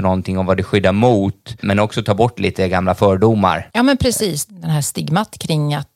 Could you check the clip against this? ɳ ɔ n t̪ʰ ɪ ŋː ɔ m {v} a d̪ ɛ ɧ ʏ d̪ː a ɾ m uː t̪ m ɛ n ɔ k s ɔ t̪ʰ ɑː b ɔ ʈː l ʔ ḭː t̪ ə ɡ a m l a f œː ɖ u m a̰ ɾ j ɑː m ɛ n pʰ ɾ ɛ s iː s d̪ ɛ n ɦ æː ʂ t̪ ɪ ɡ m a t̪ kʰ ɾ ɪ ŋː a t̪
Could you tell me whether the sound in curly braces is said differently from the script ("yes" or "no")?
no